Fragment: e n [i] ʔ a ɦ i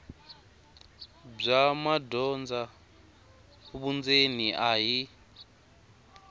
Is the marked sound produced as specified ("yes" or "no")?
yes